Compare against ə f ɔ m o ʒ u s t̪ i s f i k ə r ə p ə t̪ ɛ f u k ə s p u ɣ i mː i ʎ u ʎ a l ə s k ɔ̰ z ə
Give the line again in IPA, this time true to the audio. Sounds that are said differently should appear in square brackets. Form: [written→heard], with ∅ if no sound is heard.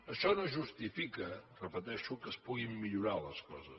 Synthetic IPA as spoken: ə [f→ʃ] ɔ [m→n] o ʒ u s t̪ i [s→∅] f i k ə r ə p ə t̪ ɛ [f→ʃ] u k ə s p u ɣ i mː i ʎ u [ʎ→ɾ] a l ə s k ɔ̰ z ə